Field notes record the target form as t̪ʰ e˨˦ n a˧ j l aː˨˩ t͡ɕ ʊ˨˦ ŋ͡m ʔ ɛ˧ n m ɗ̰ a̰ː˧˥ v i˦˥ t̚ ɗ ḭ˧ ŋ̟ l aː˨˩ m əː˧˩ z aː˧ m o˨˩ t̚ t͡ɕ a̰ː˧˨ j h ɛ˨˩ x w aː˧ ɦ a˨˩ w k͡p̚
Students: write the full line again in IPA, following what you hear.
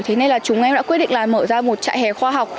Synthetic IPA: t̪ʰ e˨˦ n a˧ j l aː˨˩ t͡ɕ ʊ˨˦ ŋ͡m ʔ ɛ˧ m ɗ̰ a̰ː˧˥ w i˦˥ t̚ ɗ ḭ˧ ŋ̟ l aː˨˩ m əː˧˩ z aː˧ m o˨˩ t̚ t͡ɕ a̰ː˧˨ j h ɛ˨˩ x w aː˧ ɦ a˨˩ w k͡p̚

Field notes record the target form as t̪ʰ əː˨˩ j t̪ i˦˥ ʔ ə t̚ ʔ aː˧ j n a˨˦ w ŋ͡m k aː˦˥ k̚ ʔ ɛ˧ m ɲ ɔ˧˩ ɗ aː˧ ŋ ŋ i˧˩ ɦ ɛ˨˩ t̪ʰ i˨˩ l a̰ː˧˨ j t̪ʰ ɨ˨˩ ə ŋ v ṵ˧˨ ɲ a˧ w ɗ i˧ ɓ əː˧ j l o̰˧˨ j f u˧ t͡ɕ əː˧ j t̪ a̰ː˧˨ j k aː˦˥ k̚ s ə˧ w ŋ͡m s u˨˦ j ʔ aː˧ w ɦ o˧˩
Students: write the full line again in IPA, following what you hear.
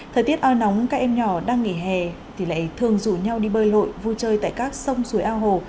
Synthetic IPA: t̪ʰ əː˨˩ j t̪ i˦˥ ə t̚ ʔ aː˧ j n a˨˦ w ŋ͡m k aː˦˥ k̚ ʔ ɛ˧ m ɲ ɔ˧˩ ɗ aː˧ ŋ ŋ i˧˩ ɦ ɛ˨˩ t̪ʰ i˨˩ l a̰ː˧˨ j t̪ʰ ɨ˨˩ ə ŋ z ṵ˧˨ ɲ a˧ w ɗ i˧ ɓ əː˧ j l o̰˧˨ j v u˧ t͡ɕ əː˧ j t̪ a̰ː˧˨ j k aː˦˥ k̚ s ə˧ w ŋ͡m s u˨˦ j ʔ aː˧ w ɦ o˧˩

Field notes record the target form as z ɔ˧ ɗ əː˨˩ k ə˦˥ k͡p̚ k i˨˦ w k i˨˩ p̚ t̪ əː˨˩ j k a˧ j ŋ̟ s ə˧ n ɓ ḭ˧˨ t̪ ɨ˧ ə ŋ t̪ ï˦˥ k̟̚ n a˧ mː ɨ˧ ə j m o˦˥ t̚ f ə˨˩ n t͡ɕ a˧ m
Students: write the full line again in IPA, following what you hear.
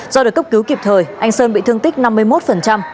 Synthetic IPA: z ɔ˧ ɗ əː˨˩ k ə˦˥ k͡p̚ k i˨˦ w k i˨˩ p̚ t̪ʰ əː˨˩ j ʔ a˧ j ŋ̟ s əː˧ n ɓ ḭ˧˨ t̪ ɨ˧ ə ŋ t̪ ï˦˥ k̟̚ n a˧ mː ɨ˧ ə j m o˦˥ t̚ f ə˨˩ n t͡ɕ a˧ m

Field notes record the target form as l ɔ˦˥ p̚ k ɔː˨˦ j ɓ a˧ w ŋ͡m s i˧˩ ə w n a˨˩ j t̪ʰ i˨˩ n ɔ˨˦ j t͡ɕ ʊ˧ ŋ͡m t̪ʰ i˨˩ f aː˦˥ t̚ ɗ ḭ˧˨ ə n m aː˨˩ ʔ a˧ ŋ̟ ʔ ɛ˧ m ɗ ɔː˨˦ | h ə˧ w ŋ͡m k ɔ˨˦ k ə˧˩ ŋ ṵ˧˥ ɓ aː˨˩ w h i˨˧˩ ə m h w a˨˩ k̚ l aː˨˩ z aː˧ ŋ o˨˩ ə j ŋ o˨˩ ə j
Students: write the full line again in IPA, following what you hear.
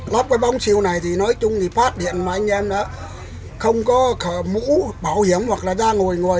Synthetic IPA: l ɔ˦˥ p̚ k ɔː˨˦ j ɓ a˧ w ŋ͡m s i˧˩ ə w n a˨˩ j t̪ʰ i˨˩ n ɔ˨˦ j t͡ɕ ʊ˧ ŋ͡m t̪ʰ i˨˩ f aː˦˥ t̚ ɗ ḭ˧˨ ə n m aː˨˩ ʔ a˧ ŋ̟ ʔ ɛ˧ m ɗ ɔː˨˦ | x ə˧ w ŋ͡m k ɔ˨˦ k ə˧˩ m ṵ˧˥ ɓ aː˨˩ w h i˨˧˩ ə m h w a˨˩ k̚ l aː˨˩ z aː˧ ŋ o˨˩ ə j ŋ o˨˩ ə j

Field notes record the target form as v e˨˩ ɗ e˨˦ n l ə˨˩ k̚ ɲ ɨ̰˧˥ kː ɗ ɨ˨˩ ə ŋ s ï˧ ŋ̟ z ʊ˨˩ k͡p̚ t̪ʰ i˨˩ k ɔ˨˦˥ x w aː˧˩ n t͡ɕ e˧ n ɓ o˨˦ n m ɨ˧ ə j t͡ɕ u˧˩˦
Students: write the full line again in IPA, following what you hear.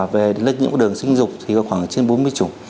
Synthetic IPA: v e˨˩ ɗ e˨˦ n l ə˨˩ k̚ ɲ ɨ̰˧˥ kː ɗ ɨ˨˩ ə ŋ s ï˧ ŋ̟ z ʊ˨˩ k͡p̚ t̪ʰ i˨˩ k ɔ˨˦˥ x w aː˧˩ ŋ t͡ɕ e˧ n ɓ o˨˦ n m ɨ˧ ə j t͡ɕ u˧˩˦

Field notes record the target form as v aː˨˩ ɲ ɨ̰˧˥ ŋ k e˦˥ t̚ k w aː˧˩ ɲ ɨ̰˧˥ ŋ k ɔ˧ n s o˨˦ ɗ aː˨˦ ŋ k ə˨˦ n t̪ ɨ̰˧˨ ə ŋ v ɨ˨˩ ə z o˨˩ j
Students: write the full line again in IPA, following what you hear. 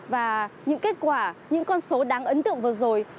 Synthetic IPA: v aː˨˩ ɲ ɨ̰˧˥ ŋ k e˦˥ t̚ k w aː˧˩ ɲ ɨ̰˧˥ ŋ k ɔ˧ n s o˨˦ ɗ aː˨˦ ŋ ʔ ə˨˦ n t̪ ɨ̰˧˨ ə ŋ v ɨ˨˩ ə z o˨˩ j

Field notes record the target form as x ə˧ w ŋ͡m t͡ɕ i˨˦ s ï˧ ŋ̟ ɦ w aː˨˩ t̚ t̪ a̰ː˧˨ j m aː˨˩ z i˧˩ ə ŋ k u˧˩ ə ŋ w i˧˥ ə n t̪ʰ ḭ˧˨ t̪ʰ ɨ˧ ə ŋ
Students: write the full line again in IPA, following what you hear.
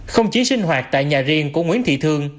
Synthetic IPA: x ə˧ w ŋ͡m t͡ɕ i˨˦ s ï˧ ŋ̟ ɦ w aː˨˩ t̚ t̪ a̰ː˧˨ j ɲ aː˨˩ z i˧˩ ə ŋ k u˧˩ ə ŋ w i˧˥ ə n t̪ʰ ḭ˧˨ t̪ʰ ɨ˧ ə ŋ

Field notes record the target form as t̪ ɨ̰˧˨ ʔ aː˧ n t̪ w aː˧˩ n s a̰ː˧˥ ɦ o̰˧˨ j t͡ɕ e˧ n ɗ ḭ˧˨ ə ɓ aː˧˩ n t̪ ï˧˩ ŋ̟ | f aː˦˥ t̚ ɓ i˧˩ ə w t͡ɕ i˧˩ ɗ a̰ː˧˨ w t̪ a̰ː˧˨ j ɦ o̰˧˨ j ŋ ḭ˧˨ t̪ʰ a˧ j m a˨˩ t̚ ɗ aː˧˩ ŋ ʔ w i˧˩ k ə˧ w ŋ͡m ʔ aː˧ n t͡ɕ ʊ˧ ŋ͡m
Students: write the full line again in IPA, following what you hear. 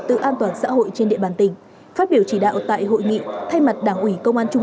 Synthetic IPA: t̪ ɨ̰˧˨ ʔ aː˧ n t̪ w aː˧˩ n s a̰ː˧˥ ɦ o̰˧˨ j t͡ɕ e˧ n ɗ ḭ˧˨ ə ɓ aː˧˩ n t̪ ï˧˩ ŋ̟ | f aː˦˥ t̚ ɓ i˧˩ ə w t͡ɕ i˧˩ ɗ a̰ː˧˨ w t̪ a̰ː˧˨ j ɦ o̰˧˨ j ŋ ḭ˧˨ t̪ʰ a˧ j m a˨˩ t̚ ɗ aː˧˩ ŋ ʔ w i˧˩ k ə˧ w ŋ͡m ʔ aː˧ n t͡ɕ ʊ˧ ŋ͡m

